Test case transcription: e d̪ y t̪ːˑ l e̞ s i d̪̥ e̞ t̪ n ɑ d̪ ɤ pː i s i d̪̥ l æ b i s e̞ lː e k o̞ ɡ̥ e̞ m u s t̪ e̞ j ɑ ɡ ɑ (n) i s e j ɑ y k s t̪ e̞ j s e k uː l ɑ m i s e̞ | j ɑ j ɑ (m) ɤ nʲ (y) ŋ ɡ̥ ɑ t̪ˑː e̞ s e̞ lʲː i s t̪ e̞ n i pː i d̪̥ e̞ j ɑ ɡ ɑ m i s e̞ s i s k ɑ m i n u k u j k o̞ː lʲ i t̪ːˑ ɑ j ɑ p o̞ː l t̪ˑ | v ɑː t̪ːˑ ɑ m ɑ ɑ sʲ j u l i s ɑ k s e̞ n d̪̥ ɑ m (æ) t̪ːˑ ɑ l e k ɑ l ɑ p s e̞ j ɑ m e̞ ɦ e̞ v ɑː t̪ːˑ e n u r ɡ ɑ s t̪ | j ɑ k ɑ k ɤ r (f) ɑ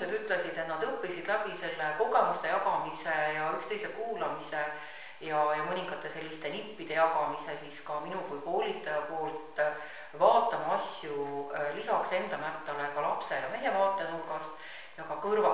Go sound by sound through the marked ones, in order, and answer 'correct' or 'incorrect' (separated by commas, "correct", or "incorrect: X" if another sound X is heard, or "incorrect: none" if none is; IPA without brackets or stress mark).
incorrect: m, correct, incorrect: i, correct, incorrect: v